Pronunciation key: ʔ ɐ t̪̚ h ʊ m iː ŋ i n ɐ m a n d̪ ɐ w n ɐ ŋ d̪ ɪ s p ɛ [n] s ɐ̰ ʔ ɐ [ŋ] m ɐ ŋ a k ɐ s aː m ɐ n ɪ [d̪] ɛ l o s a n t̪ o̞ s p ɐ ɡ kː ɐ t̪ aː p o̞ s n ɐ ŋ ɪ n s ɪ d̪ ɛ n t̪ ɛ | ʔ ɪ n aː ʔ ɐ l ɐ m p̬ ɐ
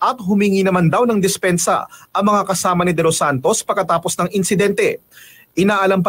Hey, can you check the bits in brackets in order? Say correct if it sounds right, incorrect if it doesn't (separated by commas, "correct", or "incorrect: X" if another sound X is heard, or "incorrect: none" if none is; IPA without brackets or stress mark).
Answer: correct, correct, correct